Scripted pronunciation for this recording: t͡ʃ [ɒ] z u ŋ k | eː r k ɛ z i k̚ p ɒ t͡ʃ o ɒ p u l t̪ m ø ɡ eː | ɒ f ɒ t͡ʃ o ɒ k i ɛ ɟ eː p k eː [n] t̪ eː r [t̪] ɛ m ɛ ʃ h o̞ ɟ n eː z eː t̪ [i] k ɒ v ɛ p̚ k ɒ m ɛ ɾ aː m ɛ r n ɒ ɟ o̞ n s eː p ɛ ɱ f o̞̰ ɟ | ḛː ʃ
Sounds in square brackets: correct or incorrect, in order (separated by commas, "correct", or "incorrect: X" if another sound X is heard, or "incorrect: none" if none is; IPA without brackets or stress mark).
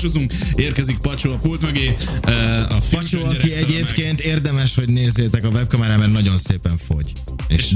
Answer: incorrect: o, correct, incorrect: d̪, incorrect: ɛ